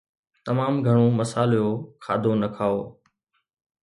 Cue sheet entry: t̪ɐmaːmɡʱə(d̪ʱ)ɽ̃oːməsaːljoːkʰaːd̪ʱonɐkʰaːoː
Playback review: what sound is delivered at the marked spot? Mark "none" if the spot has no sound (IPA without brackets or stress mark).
none